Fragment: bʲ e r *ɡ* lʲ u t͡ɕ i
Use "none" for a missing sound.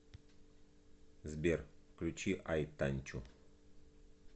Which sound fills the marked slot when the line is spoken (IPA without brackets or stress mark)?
k